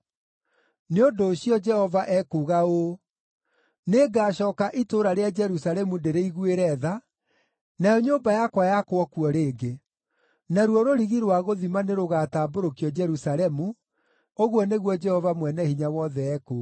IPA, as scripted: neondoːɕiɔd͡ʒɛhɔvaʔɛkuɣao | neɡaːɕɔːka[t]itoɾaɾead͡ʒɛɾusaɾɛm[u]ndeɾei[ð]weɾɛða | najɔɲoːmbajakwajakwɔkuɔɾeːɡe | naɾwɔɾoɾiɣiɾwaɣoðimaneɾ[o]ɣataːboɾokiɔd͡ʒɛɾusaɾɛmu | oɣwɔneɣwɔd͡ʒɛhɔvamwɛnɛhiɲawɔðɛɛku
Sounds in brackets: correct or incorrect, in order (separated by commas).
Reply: incorrect, correct, incorrect, correct